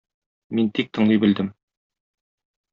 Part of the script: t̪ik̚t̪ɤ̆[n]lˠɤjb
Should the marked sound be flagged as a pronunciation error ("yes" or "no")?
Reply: yes